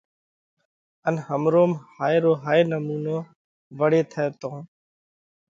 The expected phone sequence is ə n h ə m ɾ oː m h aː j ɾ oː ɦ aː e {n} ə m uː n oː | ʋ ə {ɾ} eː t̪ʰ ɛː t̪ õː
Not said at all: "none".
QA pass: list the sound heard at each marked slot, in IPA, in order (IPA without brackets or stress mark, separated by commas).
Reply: n, ɽ